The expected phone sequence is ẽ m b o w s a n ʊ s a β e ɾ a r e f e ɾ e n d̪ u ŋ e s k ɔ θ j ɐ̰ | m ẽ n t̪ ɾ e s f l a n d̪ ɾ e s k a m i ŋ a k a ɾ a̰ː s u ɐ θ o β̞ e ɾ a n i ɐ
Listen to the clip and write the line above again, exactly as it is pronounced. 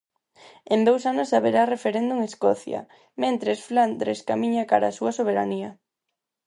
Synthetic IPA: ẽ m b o w s a n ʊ s a β e ɾ a r e f e ɾ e n d̪ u ŋ e s k ɔ θ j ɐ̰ | m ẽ n t̪ ɾ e s f l a n d̪ ɾ e s k a m i ɲ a k a ɾ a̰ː s u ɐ s o β̞ e ɾ a n i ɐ